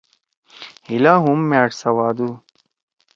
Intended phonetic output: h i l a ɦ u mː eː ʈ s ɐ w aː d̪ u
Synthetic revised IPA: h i l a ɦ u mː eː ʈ s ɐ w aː d̪ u

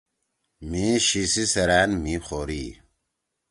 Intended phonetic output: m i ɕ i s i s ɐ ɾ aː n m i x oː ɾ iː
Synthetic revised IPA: m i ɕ i s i s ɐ ɾ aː n m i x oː ɾ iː

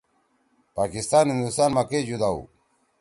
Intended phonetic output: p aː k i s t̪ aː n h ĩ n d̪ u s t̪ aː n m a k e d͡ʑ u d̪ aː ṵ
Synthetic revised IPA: p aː k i s t̪ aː n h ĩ n d̪ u s t̪ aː n m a k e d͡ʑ u d̪ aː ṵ

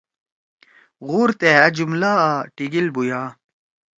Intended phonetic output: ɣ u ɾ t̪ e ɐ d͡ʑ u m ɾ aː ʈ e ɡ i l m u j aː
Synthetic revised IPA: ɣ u ɾ t̪ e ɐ d͡ʑ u m l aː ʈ i ɡ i l b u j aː

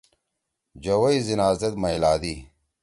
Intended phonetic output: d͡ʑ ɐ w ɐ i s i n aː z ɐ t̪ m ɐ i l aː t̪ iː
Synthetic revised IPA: d͡ʑ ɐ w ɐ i z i n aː z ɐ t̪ m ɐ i l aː d̪ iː

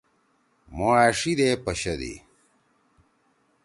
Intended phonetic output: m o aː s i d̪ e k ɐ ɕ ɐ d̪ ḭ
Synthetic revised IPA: m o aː ʂ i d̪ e p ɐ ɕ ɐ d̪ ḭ

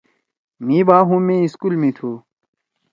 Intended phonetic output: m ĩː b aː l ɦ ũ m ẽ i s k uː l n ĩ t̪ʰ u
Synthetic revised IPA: m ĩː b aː ɦ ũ m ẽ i s k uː l m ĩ t̪ʰ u

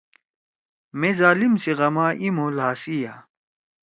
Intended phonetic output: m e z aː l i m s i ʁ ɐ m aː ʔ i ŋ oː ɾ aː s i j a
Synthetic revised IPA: m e z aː l i m s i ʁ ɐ m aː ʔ i m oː l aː s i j a

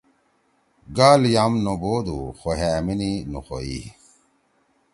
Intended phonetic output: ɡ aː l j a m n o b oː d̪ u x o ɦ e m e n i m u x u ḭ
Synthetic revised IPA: ɡ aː l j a m n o b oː d̪ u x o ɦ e m i n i n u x o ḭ

